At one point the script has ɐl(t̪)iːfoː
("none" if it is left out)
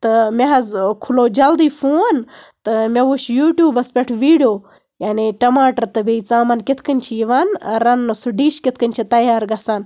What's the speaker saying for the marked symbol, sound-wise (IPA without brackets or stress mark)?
d̪